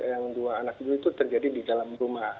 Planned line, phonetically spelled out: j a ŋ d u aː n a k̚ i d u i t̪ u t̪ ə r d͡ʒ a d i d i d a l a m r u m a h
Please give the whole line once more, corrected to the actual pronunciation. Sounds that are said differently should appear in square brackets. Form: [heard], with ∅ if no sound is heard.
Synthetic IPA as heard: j a ŋ d u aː n a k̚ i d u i t̪ u t̪ ə r d͡ʒ a d i d i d a l a m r u m a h